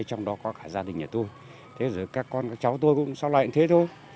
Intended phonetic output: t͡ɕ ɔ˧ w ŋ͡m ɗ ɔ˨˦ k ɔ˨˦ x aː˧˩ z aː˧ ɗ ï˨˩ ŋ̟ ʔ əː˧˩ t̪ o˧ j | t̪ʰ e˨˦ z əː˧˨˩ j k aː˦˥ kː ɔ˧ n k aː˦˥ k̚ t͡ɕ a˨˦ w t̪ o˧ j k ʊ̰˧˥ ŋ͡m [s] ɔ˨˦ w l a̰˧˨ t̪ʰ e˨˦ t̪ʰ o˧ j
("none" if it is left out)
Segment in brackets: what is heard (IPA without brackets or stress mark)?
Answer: s